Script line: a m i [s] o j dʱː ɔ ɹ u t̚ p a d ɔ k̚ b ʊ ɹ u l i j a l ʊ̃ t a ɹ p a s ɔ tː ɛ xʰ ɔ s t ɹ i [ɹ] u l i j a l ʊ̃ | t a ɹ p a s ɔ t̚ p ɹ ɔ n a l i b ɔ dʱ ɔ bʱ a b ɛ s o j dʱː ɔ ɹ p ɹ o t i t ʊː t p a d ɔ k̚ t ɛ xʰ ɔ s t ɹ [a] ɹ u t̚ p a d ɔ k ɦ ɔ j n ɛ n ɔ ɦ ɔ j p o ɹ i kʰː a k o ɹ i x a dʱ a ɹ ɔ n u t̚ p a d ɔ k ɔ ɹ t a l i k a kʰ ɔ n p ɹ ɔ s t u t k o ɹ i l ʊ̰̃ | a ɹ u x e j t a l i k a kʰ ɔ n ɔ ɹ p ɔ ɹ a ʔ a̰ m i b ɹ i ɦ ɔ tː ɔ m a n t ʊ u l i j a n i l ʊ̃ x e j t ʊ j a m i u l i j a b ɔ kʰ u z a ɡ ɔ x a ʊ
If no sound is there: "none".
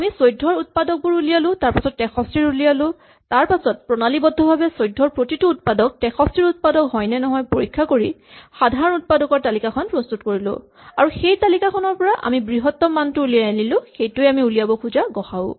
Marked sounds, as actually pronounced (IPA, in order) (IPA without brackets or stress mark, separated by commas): s, ɹ, i